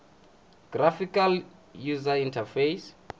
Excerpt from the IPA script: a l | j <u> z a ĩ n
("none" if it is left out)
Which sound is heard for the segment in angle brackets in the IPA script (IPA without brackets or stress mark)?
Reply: u